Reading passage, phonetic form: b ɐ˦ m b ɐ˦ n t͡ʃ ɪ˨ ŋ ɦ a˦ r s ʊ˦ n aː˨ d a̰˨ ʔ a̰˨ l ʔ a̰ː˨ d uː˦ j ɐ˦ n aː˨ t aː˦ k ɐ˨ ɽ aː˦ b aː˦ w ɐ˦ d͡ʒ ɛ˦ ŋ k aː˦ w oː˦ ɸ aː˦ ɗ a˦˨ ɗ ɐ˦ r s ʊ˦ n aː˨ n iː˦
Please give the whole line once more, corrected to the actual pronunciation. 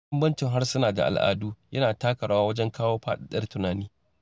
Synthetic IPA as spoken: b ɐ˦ m b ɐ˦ n t͡ʃ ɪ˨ ŋ ɦ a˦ r s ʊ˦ n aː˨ d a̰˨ ʔ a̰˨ l ʔ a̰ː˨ d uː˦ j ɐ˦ n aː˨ t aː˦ k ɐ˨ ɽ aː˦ w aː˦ w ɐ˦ d͡ʒ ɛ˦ ŋ k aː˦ w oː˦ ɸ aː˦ ɗ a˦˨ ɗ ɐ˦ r t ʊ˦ n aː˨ n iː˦

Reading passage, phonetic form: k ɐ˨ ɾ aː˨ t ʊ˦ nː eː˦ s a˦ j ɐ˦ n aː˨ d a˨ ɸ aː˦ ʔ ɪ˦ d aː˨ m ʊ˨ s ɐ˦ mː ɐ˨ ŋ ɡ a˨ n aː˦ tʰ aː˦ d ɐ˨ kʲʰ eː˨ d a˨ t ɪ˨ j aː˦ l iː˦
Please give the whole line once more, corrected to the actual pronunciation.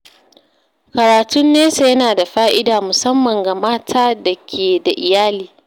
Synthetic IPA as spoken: k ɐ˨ ɾ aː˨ t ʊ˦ nː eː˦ s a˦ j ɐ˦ n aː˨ d a˨ ɸ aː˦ ʔ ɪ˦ d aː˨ m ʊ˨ s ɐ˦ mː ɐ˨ ŋ ɡ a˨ m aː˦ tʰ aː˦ d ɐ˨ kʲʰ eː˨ d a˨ ʔ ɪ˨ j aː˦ l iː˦

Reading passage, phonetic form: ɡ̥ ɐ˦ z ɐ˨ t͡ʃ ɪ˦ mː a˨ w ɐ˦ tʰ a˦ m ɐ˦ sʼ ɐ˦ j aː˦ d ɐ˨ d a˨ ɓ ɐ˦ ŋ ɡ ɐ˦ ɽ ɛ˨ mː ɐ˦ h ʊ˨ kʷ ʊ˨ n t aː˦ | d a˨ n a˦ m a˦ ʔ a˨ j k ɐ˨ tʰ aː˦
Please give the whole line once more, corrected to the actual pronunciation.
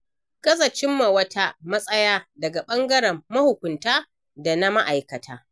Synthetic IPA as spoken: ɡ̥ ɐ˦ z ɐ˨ t͡ʃ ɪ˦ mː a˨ w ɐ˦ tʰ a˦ m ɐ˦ sʼ ɐ˦ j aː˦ d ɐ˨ ɡ a˨ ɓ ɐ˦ ŋ ɡ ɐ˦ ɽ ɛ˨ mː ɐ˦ h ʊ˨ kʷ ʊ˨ n t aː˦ | d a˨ n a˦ m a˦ ʔ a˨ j k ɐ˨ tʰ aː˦

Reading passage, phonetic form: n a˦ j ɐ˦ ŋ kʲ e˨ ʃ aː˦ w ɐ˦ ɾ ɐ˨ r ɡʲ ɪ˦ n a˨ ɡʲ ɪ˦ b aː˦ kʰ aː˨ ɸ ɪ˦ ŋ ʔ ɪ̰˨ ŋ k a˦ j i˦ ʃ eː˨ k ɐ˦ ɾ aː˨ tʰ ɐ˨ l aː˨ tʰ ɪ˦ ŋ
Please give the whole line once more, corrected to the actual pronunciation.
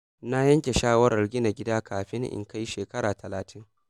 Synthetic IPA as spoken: n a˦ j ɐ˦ ŋ kʲ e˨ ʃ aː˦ w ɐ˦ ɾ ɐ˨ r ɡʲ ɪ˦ n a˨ ɡʲ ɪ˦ d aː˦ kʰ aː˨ ɸ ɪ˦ ŋ ʔ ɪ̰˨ ŋ k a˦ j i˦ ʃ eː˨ k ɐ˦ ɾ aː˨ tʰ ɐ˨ l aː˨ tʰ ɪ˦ ŋ

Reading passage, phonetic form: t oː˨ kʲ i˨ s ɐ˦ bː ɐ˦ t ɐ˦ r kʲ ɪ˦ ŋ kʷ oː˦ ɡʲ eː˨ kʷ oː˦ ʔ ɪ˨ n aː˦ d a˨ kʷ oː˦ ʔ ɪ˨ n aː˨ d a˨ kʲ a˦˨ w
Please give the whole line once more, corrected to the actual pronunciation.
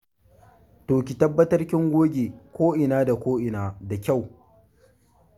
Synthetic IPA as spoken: t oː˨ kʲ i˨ t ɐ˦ bː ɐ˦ t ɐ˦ r kʲ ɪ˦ ŋ ɡʷ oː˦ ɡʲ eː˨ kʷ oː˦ ʔ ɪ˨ n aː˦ d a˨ kʷ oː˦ ʔ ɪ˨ n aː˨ d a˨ kʲ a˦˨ w

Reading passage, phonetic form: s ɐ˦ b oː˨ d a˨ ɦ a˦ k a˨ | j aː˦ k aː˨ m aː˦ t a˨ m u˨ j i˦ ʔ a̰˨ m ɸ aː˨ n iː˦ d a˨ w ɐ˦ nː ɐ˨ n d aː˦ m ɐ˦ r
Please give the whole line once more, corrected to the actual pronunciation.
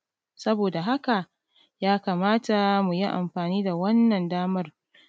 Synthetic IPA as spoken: s ɐ˦ b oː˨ d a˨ ɦ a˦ k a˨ | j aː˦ k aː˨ m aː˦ t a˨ m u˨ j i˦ ʔ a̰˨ m ɸ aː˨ n iː˦ d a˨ w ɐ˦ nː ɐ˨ n d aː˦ m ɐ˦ r

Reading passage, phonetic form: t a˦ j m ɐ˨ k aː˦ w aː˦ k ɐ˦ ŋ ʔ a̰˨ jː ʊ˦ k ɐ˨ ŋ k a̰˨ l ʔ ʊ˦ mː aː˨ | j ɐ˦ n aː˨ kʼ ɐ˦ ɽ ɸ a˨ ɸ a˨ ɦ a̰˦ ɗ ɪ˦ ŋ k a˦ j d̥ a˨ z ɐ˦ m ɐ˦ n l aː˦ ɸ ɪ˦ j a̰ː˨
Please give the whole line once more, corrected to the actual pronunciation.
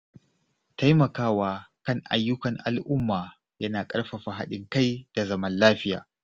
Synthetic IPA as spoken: t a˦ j m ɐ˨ k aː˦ w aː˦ k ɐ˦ ŋ ʔ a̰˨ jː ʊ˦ k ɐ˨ ŋ ʔ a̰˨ l ʔ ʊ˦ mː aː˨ | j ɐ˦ n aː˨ kʼ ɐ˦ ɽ ɸ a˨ ɸ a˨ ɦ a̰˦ ɗ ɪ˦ ŋ k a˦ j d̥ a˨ z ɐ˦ m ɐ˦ n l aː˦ ɸ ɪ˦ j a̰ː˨

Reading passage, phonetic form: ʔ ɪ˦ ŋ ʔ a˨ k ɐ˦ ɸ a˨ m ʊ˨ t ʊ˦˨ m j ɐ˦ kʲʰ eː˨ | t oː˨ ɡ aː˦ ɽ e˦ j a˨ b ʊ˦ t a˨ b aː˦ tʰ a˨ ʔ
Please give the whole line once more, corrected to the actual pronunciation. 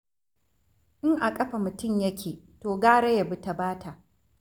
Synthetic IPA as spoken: ʔ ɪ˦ ŋ ʔ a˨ kʼ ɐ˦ ɸ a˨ m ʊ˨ t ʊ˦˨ m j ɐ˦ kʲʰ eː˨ | t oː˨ ɡ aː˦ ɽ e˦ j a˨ b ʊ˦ t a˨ b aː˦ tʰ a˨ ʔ

